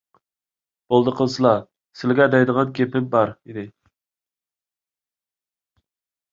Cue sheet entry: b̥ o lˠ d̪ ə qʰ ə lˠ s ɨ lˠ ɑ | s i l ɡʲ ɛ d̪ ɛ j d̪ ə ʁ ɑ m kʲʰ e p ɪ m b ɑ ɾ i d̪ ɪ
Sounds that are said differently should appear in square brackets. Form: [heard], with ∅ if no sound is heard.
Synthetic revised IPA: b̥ o lˠ d̪ ə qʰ ə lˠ s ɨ lˠ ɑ | s [ɪ] l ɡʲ ɛ d̪ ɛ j d̪ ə ʁ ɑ [n] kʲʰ e p ɪ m b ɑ ɾ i d̪ ɪ